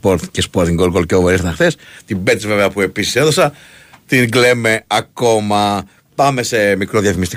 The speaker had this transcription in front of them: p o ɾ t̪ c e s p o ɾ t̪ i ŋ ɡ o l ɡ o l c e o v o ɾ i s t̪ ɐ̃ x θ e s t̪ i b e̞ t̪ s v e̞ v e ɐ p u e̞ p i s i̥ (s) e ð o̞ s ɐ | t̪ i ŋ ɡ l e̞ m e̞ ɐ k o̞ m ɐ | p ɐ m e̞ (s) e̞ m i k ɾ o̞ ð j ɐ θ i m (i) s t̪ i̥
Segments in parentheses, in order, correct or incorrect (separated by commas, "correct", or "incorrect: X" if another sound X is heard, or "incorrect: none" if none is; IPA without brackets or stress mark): correct, correct, correct